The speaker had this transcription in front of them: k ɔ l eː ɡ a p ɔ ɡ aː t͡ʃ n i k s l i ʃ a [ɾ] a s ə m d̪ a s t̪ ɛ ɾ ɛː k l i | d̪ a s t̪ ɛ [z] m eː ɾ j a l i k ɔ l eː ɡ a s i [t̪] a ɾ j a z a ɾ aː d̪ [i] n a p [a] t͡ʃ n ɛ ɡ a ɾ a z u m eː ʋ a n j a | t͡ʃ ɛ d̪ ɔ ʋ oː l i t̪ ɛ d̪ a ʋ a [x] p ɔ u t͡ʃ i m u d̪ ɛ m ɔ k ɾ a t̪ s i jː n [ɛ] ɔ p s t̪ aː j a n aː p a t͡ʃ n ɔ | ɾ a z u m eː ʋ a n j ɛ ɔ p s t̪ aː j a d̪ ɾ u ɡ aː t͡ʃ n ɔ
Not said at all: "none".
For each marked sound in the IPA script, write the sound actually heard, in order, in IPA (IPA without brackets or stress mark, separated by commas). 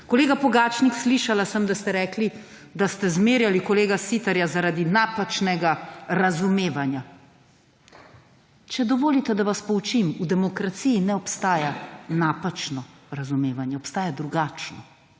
l, z, t̪, i, a, s, ɛ